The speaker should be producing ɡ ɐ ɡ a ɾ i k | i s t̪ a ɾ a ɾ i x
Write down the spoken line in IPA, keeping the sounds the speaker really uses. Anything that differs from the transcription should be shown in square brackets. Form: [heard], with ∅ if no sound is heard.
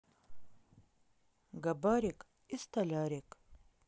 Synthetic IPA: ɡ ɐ [b] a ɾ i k | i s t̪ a [l] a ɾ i [k]